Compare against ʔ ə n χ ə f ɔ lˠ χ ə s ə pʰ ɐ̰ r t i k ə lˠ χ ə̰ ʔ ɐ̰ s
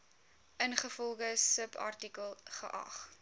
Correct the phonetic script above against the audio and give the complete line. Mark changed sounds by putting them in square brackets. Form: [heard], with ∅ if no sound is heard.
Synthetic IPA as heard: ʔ ə n χ ə f ɔ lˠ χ ə s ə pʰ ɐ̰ r t i k ə lˠ χ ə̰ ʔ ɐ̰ [χ]